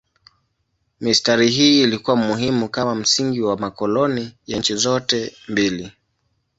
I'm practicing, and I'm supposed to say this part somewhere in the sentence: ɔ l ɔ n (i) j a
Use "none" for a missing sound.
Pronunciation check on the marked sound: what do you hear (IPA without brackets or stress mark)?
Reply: i